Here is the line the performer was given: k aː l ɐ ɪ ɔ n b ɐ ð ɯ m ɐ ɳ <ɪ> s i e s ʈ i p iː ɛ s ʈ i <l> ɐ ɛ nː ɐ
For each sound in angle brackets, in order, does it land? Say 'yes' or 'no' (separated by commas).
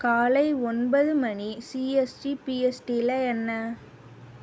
no, yes